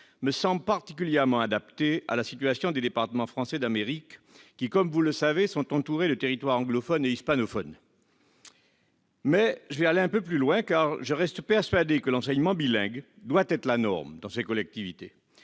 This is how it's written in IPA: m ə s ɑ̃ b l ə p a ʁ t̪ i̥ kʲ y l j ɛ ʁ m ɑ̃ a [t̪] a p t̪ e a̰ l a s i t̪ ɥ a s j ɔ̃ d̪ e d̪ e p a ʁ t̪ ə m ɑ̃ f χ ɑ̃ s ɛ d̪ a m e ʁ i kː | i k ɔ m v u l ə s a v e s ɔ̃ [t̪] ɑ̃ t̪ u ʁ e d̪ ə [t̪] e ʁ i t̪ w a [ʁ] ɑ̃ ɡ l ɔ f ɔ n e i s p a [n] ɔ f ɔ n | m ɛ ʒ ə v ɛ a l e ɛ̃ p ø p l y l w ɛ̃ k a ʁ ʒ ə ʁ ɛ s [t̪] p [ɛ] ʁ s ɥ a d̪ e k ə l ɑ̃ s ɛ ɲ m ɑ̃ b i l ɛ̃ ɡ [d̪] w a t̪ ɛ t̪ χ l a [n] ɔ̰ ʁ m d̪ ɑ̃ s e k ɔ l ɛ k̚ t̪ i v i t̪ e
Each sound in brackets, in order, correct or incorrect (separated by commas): incorrect, correct, correct, correct, correct, correct, correct, correct, correct